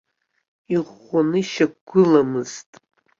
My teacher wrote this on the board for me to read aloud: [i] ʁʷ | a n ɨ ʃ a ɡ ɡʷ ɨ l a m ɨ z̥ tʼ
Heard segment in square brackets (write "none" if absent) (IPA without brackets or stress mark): i